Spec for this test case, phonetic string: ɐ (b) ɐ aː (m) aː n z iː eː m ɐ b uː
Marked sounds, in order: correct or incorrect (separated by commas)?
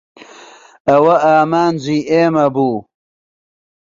incorrect, correct